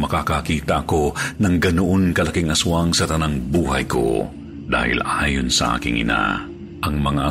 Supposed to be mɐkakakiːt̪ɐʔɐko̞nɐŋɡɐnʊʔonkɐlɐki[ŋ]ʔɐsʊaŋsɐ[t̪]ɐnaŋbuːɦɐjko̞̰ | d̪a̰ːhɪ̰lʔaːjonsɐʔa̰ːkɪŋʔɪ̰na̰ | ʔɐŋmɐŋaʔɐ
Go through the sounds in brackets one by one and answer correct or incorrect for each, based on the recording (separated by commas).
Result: correct, correct